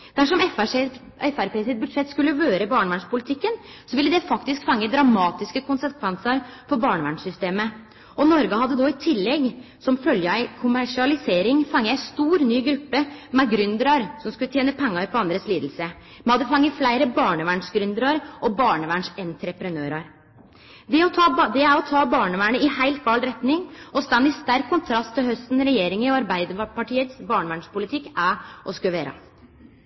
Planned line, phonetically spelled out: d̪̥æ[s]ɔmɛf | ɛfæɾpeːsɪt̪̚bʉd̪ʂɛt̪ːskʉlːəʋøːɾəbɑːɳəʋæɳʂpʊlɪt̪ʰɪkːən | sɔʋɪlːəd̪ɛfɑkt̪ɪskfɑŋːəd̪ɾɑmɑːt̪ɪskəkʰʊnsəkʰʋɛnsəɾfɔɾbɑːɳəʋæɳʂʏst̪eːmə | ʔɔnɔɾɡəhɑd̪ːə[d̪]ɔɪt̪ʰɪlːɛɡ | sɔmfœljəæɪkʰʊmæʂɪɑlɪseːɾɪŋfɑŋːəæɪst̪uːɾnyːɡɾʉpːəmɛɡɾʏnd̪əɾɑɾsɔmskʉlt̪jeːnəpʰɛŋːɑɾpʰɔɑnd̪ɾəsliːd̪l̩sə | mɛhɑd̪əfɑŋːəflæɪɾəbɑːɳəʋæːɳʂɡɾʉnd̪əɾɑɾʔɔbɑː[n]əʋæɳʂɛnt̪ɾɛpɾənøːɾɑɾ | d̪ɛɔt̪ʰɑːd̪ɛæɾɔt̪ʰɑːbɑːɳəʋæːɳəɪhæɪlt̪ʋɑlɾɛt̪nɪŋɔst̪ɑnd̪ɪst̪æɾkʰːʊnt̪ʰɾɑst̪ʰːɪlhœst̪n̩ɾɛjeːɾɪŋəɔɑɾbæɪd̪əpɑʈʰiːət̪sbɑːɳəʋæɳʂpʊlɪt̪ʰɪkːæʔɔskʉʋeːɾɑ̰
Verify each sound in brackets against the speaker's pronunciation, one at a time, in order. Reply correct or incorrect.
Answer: incorrect: ʂ, correct, incorrect: ɳ

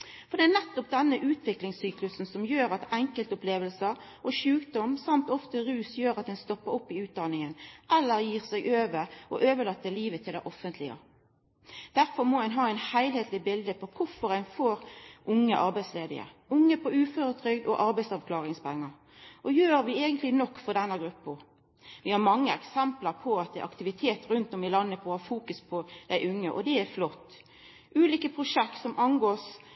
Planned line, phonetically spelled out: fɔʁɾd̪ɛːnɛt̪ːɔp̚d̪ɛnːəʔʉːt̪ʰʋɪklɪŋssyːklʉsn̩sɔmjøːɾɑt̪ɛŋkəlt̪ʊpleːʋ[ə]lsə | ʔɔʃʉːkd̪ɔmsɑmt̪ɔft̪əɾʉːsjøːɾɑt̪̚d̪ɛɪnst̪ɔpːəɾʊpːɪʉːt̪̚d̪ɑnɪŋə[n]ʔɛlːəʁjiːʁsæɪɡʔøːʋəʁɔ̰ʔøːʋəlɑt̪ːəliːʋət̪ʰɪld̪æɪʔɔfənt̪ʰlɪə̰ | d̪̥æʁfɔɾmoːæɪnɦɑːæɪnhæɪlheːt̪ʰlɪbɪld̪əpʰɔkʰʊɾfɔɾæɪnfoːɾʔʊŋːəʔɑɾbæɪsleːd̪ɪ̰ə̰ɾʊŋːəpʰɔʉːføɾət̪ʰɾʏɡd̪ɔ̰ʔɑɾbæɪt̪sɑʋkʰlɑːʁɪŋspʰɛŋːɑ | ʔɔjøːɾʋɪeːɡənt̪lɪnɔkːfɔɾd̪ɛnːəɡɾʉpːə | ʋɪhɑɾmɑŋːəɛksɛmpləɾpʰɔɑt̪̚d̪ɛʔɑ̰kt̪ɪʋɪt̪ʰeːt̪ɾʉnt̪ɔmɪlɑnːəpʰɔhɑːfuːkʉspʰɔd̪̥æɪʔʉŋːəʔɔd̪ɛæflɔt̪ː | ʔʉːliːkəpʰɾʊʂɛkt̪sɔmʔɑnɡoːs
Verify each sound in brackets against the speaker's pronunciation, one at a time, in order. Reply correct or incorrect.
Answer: correct, correct

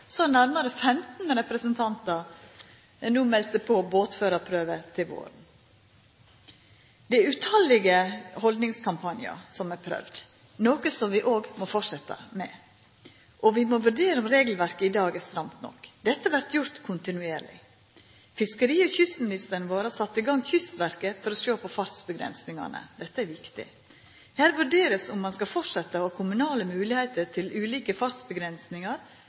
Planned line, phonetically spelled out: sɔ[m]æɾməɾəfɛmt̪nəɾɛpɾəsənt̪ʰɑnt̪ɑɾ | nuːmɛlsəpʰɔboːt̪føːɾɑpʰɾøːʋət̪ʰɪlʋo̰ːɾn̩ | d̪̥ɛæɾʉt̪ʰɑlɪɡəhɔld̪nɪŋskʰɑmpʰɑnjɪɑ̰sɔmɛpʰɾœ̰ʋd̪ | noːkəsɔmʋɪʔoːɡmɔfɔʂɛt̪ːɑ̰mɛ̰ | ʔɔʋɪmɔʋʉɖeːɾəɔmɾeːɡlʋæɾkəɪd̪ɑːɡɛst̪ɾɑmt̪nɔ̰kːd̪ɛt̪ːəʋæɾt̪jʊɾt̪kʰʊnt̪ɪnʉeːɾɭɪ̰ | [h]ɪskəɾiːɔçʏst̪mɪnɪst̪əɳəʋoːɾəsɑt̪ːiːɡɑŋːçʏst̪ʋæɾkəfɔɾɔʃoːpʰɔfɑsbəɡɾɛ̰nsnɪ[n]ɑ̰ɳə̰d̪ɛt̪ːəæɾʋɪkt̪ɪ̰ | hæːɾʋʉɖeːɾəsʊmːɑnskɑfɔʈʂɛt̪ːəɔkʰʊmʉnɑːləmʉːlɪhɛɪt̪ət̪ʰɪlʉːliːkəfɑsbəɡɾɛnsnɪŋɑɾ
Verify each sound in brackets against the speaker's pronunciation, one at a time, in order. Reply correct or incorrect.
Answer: incorrect: n, incorrect: f, incorrect: ŋ

